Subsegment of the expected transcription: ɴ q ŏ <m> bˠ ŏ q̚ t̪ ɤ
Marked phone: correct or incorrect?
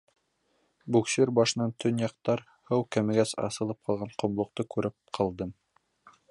correct